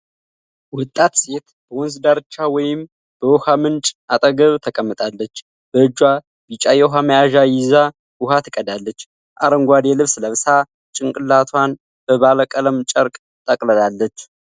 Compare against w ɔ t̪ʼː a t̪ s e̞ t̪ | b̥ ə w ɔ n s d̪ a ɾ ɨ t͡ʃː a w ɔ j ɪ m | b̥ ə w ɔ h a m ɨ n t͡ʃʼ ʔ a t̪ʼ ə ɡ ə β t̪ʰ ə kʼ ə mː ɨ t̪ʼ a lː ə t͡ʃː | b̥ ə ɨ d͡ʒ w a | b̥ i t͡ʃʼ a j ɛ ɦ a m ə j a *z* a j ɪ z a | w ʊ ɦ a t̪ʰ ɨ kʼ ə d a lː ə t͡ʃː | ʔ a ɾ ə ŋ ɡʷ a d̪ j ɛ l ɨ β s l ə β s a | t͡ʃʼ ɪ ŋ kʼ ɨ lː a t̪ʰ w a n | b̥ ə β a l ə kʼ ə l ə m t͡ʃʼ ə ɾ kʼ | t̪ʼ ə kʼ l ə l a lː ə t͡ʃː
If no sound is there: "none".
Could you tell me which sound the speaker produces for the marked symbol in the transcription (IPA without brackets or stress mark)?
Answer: ʒ